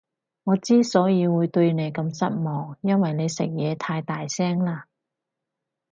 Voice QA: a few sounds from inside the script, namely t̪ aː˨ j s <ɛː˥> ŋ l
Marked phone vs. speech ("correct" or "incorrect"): correct